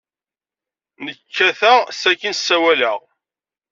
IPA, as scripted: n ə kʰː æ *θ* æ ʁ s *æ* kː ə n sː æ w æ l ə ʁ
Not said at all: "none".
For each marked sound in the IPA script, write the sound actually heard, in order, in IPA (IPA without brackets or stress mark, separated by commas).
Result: θ, æ